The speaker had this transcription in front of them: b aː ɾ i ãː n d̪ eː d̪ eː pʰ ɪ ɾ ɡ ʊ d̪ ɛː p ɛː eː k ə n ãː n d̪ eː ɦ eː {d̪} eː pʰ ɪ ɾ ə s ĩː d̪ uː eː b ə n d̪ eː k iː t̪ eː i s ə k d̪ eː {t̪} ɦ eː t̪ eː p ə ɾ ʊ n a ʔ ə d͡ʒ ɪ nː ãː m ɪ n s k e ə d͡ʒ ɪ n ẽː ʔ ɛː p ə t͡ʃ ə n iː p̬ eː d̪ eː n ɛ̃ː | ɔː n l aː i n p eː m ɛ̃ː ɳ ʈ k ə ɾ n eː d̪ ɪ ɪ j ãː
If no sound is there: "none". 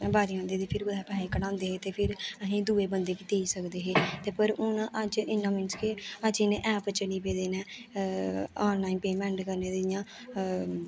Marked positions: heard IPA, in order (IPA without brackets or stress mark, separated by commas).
t̪, none